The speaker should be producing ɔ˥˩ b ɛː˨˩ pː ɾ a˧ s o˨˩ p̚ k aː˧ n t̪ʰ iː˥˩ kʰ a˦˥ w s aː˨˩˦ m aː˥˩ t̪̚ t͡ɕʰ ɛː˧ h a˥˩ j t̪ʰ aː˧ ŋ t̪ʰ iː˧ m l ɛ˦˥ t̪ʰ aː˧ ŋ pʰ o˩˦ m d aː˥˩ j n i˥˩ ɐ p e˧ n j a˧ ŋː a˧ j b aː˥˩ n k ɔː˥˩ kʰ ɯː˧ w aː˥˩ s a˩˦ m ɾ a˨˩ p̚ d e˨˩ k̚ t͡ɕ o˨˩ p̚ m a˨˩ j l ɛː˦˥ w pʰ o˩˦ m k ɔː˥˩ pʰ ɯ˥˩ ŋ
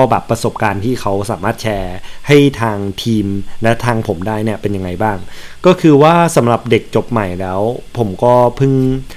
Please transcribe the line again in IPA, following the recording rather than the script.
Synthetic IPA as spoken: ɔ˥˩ b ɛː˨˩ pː ɾ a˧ s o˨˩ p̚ k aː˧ n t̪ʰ iː˥˩ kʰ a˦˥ w s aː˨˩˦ m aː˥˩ t̪̚ t͡ɕʰ ɛː˧ h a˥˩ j t̪ʰ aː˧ ŋ t̪ʰ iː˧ m l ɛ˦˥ t̪ʰ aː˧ ŋ pʰ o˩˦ m d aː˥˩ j n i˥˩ ɐ p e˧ n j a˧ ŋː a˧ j b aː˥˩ ŋ k ɔː˥˩ kʰ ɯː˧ w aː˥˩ s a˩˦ m ɾ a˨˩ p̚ d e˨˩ k̚ t͡ɕ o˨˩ p̚ m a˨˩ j l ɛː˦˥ w pʰ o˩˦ m k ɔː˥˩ pʰ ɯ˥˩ ŋ